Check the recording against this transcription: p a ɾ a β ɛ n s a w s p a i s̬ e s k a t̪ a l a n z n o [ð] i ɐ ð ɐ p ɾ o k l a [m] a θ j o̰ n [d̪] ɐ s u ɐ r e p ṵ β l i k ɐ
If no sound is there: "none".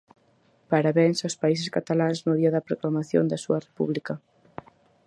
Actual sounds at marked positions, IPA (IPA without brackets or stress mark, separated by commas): ð, m, d̪